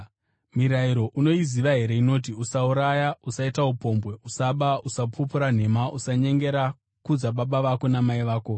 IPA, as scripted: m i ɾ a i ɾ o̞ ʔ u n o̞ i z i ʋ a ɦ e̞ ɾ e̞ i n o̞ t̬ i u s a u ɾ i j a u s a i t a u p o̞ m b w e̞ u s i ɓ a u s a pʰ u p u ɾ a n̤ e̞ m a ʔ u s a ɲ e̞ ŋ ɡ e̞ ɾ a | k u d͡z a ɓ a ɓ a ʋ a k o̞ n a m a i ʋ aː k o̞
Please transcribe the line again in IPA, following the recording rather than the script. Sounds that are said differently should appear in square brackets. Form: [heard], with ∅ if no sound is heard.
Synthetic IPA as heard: m i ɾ a i ɾ o̞ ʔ u n o̞ i z i ʋ a ɦ e̞ ɾ e̞ i n o̞ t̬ i u s a u ɾ [a] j a u s a i t a u p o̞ m b w e̞ u s [a] ɓ a u s a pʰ u p u ɾ a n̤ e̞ m a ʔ u s a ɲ e̞ ŋ ɡ e̞ ɾ a | k u d͡z a ɓ a ɓ a ʋ a k o̞ n a m a i ʋ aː k o̞